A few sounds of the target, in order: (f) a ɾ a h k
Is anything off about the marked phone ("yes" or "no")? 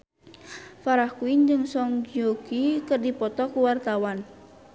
no